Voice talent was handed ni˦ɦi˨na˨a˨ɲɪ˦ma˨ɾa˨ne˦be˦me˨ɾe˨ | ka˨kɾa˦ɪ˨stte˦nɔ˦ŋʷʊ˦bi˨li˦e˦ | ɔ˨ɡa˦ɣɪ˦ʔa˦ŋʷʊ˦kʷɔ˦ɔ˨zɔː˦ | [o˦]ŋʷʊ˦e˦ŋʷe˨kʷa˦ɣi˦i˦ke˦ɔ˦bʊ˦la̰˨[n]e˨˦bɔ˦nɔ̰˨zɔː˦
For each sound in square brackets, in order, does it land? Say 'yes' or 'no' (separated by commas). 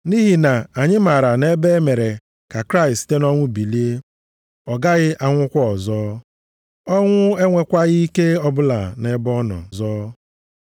no, yes